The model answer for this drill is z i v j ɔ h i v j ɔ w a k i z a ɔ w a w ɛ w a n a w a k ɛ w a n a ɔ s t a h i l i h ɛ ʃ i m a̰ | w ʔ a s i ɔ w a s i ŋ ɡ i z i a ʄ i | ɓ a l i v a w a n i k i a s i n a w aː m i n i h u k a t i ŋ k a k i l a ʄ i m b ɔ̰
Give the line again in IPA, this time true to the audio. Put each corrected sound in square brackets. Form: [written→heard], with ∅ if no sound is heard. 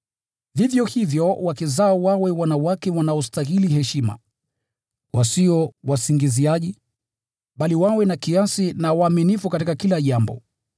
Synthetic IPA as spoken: [z→v] i v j ɔ h i v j ɔ w a k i z a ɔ w a w ɛ w a n a w a k ɛ w a n a ɔ s t a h i l i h ɛ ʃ i m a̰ | w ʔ a s i ɔ w a s i ŋ ɡ i z i a ʄ i | ɓ a l i [v→w] a w [a→ɛ] n [i→a] k i a s i n a w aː m i n i [h→f] u k a t i [ŋ→∅] k a k i l a ʄ [i→a] m b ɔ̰